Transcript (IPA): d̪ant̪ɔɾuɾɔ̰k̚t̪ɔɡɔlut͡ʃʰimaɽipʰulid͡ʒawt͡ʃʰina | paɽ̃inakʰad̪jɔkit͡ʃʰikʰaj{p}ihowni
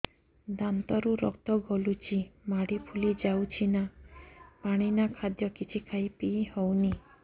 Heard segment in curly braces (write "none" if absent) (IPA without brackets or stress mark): p